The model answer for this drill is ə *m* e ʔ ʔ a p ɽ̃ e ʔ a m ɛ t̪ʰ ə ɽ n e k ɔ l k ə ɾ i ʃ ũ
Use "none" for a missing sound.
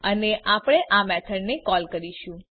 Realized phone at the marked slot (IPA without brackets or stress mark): n